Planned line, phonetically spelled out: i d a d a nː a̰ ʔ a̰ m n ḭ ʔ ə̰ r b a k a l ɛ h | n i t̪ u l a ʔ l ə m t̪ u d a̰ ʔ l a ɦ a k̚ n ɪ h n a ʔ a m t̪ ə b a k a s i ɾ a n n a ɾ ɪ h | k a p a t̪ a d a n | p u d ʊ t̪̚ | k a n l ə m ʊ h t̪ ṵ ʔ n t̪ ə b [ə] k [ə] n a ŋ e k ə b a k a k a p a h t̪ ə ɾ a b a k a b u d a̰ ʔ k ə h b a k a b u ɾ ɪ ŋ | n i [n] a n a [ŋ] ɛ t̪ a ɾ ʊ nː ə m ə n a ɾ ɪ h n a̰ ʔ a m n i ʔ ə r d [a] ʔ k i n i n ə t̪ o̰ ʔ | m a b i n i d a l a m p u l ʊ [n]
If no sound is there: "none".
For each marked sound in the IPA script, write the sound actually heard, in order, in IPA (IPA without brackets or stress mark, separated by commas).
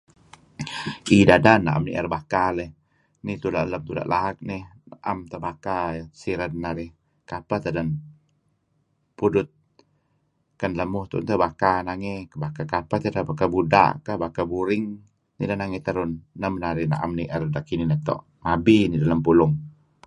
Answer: a, a, d, ŋ, a, ŋ